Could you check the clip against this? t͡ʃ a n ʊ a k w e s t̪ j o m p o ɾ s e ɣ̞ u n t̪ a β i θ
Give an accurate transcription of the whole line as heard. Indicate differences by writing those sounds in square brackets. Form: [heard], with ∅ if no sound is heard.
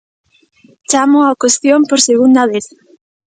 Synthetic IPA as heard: t͡ʃ a [m] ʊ a k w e s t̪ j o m p o ɾ s e ɣ̞ u n [d̪] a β [e] θ